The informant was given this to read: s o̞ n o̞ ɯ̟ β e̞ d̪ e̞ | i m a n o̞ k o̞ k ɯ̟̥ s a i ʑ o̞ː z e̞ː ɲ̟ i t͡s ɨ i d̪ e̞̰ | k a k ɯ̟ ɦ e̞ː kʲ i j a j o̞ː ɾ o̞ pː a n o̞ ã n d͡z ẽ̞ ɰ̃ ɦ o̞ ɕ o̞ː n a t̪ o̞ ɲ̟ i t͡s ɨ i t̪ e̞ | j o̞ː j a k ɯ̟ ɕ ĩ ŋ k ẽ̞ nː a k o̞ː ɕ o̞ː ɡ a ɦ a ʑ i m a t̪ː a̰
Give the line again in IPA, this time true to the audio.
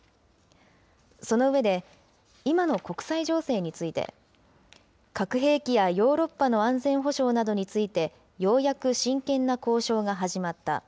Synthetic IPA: s o̞ n o̞ ɯ̟ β e̞ d̪ e̞ | i m a n o̞ k o̞ k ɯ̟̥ s a i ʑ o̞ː s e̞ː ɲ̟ i t͡s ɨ i t̪ e̞̰ | k a k ɯ̟ ɦ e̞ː kʲ i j a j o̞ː ɾ o̞ pː a n o̞ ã n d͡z ẽ̞ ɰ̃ ɦ o̞ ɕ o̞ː n a d̪ o̞ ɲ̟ i t͡s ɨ i t̪ e̞ | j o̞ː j a k ɯ̟ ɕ ĩ ŋ k ẽ̞ nː a k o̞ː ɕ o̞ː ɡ a ɦ a ʑ i m a t̪ː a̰